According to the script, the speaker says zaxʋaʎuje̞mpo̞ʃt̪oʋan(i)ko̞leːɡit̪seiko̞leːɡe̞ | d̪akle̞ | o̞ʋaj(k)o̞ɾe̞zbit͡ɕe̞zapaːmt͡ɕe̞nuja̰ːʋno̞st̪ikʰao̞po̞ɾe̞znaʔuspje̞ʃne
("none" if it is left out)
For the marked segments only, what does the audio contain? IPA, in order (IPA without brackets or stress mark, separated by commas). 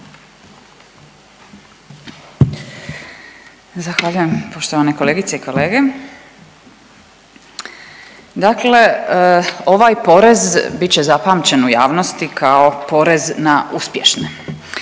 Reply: e, p